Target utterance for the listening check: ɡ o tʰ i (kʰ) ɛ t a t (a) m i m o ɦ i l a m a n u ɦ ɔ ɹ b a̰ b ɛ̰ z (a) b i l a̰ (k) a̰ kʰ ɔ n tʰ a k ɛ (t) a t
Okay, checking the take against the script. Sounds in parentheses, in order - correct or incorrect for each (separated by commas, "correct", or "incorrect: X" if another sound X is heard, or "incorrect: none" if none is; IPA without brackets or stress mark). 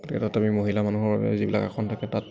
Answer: incorrect: k, correct, incorrect: i, correct, correct